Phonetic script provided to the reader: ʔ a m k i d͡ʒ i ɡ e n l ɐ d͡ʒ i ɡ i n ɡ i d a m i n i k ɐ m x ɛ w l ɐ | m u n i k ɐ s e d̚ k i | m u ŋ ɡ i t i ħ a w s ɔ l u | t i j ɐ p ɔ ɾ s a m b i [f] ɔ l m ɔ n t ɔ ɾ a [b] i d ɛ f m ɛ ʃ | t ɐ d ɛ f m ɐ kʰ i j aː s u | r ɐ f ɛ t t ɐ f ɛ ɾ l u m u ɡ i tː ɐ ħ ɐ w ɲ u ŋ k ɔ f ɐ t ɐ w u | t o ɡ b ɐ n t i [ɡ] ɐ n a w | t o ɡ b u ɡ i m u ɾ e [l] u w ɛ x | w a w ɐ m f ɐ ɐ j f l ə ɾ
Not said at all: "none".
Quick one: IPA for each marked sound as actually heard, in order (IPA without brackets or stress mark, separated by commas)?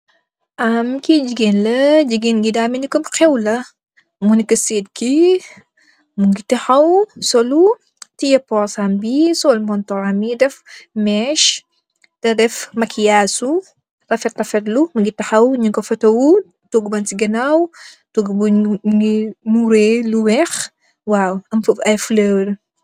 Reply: s, m, ɡ, l